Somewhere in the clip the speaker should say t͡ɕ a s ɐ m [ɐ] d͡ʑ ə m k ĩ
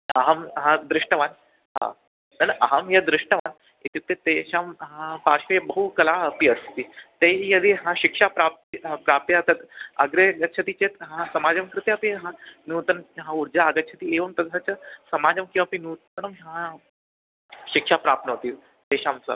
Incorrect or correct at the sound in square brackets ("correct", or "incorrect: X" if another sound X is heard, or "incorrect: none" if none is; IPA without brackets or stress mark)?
incorrect: a